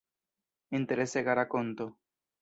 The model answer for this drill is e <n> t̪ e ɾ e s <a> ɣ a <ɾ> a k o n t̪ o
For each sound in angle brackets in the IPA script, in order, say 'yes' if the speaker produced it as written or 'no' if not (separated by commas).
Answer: yes, no, yes